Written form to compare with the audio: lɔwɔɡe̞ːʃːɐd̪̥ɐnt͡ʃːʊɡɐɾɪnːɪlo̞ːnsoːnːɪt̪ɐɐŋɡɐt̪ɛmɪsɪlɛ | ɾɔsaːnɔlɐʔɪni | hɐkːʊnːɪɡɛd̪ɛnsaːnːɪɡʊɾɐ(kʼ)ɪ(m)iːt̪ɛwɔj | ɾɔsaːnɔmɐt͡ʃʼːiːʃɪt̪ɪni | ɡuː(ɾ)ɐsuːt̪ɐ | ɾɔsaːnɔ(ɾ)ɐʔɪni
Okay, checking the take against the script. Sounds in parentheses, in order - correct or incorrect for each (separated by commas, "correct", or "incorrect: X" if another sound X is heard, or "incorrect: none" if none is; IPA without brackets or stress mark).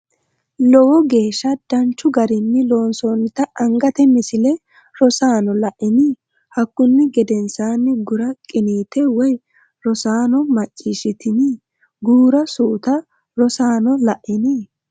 correct, incorrect: n, correct, incorrect: l